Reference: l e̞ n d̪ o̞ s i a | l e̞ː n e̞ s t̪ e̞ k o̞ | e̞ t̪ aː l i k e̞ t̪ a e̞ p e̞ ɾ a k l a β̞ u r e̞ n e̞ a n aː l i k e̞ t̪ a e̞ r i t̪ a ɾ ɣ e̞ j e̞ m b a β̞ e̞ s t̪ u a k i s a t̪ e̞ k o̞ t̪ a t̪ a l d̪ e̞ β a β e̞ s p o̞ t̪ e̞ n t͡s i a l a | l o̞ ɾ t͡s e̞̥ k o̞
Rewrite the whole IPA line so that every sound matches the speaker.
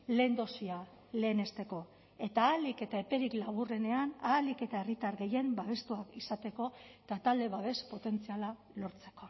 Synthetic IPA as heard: l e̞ n d̪ o̞ s i a | l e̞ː n e̞ s t̪ e̞ k o̞ | e̞ t̪ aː l i k e̞ t̪ a e̞ p e̞ ɾ i k l a β̞ u r e̞ n e̞ a n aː l i k e̞ t̪ a e̞ r i t̪ a ɾ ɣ e̞ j e̞ m b a β̞ e̞ s t̪ u a k i s a t̪ e̞ k o̞ t̪ a t̪ a l d̪ e̞ β a β e̞ s p o̞ t̪ e̞ n t͡s i a l a | l o̞ ɾ t͡s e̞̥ k o̞